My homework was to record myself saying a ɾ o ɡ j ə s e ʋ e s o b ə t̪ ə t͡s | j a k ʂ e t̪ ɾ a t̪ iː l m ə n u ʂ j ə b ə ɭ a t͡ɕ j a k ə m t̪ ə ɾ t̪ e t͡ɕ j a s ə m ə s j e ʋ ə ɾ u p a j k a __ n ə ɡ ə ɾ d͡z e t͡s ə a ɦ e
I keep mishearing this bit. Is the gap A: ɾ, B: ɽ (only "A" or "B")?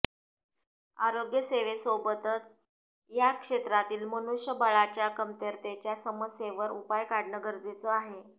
B